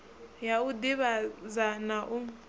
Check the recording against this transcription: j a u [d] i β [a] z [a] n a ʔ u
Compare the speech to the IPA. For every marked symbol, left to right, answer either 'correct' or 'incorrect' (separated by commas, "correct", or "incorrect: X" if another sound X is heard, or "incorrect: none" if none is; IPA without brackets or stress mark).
correct, correct, correct